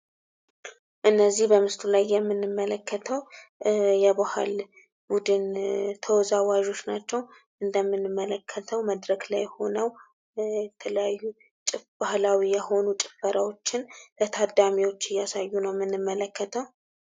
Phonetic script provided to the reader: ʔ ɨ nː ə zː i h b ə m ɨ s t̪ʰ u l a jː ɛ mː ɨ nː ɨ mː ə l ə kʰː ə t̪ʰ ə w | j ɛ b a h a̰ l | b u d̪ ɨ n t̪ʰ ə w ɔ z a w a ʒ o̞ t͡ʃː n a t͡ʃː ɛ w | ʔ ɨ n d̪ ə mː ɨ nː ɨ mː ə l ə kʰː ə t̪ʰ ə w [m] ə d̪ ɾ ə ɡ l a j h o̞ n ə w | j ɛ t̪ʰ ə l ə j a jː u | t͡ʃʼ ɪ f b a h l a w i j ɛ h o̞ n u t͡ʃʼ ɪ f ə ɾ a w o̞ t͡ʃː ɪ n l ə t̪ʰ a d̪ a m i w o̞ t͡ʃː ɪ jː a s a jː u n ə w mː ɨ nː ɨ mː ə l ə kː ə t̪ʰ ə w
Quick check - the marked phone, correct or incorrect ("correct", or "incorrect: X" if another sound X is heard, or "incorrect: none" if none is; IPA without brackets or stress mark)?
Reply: correct